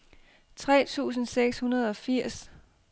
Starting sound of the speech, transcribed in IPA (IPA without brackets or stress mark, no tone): t͡sʰ